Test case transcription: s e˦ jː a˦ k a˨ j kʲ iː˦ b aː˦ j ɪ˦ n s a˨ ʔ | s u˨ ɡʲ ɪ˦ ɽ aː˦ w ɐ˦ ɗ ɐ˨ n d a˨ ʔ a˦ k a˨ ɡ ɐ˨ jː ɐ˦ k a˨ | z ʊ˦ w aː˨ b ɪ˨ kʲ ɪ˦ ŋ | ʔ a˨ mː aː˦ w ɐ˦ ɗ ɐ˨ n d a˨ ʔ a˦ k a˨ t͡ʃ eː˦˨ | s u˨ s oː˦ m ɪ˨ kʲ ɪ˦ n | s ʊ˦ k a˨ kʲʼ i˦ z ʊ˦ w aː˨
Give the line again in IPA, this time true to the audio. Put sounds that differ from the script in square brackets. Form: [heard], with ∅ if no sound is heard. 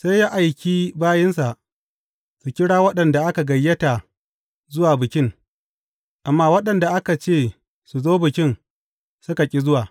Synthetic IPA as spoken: s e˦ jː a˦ [ʔ] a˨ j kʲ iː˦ b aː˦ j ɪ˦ n s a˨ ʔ | s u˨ [kʲ] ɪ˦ ɽ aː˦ w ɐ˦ ɗ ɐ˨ n d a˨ ʔ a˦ k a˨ ɡ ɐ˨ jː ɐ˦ [t] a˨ | z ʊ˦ w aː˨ b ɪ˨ kʲ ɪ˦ ŋ | ʔ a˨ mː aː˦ w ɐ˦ ɗ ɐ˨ n d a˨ ʔ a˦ k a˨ t͡ʃ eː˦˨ | s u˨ [z] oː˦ [b] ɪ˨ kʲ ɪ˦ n | s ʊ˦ k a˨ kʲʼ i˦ z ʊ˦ w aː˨

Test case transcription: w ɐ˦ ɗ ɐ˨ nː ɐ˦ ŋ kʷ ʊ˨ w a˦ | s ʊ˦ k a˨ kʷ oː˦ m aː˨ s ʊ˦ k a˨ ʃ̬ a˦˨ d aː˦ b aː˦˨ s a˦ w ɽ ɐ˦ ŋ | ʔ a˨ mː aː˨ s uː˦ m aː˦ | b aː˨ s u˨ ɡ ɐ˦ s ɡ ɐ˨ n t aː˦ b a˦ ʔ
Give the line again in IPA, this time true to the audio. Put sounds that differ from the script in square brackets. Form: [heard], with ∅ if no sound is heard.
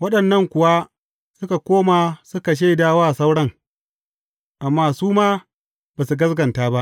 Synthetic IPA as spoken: w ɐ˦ ɗ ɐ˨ nː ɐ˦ ŋ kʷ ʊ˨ w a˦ | s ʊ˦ k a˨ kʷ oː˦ m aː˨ s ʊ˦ k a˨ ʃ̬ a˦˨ d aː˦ [w] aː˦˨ s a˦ w ɽ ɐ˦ ŋ | ʔ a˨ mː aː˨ s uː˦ m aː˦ | b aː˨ s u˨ ɡ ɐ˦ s ɡ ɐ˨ n t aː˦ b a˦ ʔ

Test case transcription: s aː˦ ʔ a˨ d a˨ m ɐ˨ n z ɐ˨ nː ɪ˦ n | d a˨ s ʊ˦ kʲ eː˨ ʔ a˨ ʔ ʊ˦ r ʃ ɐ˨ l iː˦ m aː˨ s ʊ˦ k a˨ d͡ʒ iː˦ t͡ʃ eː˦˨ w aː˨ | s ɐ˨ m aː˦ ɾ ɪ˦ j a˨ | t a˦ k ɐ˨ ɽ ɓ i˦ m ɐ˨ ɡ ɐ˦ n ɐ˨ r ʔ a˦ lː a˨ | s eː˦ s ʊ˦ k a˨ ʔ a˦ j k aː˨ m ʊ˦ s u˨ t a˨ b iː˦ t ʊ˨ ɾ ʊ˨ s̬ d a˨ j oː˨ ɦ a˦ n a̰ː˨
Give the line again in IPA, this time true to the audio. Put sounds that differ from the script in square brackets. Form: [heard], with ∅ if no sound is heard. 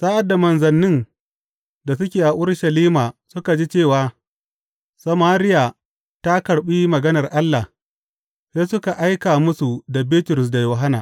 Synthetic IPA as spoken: s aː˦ ʔ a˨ d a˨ m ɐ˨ n z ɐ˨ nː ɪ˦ n | d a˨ s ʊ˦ kʲ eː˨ ʔ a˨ ʔ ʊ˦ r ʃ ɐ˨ l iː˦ m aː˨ s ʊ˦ k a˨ d͡ʒ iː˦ t͡ʃ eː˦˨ w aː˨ | s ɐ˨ m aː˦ ɾ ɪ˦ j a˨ | t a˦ k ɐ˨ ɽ ɓ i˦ m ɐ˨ ɡ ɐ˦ n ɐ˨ r ʔ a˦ lː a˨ | s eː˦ s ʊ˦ k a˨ ʔ a˦ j k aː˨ m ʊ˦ s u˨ [d] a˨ b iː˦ t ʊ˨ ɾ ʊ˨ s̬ d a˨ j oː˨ ɦ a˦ n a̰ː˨

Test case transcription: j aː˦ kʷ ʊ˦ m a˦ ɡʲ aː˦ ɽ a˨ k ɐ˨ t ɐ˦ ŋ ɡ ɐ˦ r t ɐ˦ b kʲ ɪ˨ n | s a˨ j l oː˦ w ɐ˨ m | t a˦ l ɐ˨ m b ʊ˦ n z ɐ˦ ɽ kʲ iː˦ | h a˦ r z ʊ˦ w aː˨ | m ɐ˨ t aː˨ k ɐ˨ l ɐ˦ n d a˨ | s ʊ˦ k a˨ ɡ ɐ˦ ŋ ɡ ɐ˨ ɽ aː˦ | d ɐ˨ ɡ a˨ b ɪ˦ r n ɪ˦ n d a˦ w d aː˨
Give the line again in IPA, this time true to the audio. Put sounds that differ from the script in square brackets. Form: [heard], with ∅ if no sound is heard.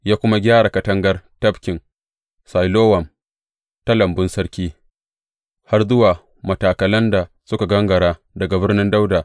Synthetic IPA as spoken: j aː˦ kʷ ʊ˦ m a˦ ɡʲ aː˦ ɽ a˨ k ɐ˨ t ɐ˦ ŋ ɡ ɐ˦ r t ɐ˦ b kʲ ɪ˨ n | s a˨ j l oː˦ w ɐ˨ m | t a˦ l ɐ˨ m b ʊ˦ n [s] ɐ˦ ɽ kʲ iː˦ | h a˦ r z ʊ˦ w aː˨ | m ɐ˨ t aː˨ k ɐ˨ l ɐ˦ n d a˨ | s ʊ˦ k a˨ ɡ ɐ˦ ŋ ɡ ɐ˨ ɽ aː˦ | d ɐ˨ ɡ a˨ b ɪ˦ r n ɪ˦ n d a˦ w d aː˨

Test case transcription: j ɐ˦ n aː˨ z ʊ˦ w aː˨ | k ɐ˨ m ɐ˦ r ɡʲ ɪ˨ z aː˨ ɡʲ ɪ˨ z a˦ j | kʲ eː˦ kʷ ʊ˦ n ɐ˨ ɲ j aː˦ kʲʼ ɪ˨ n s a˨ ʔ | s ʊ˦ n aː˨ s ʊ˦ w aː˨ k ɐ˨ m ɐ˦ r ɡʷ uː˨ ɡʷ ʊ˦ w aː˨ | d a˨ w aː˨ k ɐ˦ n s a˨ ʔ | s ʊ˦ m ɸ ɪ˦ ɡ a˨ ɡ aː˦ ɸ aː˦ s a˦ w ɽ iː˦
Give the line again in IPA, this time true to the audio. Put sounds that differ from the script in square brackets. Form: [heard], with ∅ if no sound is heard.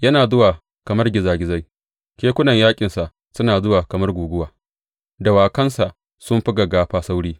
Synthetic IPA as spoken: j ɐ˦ n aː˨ z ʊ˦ w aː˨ | k ɐ˨ m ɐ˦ r ɡʲ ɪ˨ z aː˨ ɡʲ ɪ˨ z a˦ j | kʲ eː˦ kʷ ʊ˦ n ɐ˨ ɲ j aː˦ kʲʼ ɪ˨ n s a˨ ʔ | s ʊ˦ n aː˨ [z] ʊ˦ w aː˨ k ɐ˨ m ɐ˦ r ɡʷ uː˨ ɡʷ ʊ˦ w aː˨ | d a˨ w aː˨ k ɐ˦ n s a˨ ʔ | s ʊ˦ m ɸ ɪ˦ ɡ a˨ ɡ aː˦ ɸ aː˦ s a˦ w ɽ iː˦

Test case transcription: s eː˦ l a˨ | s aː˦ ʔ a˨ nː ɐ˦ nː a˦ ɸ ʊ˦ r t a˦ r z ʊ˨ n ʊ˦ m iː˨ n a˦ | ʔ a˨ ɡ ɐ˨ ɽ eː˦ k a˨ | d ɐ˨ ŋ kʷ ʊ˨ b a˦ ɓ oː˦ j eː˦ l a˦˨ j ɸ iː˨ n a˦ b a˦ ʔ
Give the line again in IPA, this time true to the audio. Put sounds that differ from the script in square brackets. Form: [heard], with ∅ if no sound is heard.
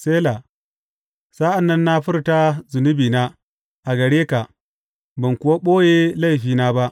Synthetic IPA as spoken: s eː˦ l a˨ | s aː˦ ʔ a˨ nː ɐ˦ nː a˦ ɸ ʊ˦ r t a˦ [∅] z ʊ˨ n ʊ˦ [b] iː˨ n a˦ | ʔ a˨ ɡ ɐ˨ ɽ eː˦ k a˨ | [b] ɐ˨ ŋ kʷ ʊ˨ [w] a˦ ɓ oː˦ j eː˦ l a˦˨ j ɸ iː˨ n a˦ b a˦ ʔ

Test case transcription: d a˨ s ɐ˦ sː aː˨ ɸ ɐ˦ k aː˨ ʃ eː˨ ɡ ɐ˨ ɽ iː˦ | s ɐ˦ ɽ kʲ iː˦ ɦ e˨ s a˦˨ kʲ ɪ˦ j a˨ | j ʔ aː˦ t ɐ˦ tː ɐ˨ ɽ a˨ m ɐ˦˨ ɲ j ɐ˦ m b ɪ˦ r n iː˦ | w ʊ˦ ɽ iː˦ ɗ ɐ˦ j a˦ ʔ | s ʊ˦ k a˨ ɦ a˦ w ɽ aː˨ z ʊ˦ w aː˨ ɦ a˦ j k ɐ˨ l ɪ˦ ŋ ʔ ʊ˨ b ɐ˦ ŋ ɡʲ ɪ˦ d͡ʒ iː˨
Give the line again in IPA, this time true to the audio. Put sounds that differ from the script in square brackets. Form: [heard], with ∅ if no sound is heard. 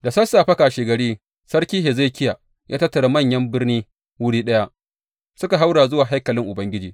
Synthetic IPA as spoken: d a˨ s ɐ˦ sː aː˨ ɸ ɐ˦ k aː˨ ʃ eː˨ ɡ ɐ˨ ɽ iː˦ | s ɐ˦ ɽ kʲ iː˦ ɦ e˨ [z] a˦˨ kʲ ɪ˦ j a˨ | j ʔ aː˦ t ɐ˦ tː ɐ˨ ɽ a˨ m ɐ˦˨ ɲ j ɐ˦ m b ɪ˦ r n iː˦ | w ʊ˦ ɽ iː˦ ɗ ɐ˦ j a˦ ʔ | s ʊ˦ k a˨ ɦ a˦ w ɽ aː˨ z ʊ˦ w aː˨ ɦ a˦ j k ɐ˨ l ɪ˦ ŋ ʔ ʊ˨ b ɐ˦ ŋ ɡʲ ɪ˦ d͡ʒ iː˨

